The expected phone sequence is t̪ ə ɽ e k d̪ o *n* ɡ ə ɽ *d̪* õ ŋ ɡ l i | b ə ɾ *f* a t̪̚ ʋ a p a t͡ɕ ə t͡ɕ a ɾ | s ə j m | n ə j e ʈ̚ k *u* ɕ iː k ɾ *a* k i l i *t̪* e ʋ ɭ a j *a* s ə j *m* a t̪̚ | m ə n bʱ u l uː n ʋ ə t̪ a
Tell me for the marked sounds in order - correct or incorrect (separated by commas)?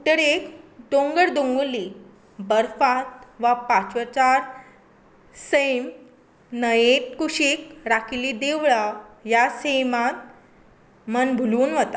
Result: incorrect, correct, correct, correct, correct, incorrect, correct, correct